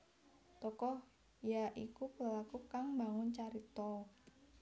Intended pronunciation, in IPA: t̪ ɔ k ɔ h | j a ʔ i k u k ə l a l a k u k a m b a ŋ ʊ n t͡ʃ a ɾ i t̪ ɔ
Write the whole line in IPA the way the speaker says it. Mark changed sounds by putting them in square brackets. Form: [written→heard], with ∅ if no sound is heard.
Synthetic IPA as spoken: t̪ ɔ k ɔ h | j a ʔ i k u k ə l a l a k u k a [m→ŋ] b a ŋ ʊ n t͡ʃ a ɾ i t̪ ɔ